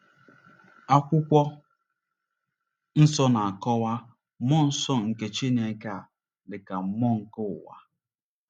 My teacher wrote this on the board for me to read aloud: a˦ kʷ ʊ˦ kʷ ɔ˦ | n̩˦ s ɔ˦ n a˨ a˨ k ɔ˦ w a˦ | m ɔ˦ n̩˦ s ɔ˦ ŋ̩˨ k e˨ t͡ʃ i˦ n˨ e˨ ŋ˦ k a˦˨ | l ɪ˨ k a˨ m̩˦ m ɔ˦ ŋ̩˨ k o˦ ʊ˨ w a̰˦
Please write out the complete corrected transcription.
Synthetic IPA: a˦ kʷ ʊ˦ kʷ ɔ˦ | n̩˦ s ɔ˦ n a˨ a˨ k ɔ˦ w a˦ | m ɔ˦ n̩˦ s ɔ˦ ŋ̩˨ k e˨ t͡ʃ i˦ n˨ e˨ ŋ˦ k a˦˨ | l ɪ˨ k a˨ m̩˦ m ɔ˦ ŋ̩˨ k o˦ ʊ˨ w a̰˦